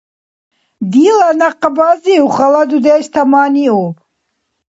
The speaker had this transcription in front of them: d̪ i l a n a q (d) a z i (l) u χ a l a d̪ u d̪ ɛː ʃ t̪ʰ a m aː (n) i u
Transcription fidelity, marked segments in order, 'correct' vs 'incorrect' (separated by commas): incorrect, incorrect, correct